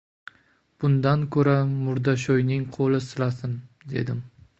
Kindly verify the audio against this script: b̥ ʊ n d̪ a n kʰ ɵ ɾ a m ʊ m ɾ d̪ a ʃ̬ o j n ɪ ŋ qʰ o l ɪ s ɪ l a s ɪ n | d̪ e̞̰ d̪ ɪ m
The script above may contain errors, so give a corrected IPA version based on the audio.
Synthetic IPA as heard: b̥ ʊ n d̪ a n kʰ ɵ ɾ a m ʊ ɾ d̪ a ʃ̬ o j n ɪ ŋ qʰ o l ɪ s ɪ l a s ɪ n | d̪ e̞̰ d̪ ɪ m